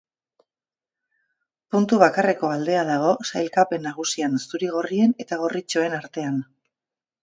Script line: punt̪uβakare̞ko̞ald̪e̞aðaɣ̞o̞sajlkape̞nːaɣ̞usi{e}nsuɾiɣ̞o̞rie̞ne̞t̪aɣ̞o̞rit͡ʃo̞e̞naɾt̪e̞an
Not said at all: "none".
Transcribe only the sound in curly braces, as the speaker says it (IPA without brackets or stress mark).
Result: a